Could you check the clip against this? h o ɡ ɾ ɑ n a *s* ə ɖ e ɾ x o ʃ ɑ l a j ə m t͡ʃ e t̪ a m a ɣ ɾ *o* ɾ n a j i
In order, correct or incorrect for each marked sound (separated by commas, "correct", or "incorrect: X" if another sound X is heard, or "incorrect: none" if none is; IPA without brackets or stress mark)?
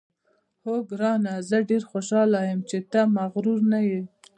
incorrect: z, incorrect: u